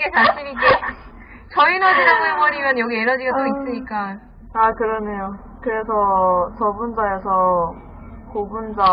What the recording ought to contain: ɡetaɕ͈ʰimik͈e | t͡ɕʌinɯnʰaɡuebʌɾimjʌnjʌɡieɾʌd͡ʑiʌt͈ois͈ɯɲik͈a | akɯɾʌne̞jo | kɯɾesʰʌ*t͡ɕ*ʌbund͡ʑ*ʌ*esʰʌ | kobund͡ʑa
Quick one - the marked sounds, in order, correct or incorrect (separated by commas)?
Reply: correct, incorrect